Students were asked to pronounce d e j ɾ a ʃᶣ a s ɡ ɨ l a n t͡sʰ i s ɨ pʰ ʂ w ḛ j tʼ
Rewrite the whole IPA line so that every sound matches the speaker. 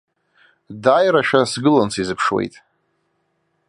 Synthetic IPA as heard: d a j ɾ a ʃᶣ a s ɡ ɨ l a n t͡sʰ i z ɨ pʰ ʂ w ḛ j tʼ